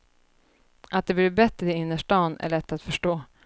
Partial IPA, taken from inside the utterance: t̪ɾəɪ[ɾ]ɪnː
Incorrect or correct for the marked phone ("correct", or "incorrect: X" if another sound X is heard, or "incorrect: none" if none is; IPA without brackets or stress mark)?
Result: incorrect: none